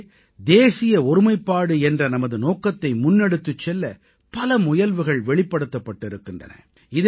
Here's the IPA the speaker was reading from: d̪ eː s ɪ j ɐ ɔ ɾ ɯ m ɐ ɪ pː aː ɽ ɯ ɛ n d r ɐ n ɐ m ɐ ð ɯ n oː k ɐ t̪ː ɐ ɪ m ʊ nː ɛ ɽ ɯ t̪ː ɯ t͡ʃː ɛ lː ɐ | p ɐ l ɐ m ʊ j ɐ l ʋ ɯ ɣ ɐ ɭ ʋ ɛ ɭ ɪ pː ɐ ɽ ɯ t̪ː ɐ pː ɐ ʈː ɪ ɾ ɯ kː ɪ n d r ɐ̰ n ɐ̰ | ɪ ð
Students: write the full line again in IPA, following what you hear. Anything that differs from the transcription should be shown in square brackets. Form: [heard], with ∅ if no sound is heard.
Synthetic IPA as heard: d̪ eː s ɪ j ɐ ɔ ɾ ɯ m ɐ ɪ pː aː ɽ ɯ ɛ n d r ɐ n ɐ m ɐ ð ɯ n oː k ɐ t̪ː ɐ ɪ m ʊ nː ɛ ɽ ɯ t̪ː ɯ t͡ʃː ɛ lː ɐ | p ɐ l ɐ m ʊ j ɐ l ʋ ɯ ɣ ɐ ɭ ʋ ɛ ɭ ɪ pː ɐ ɽ ɯ t̪ː ɐ pː ɐ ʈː ɪ ɾ ɯ kː ɪ n d r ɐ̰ n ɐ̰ | ɪ ð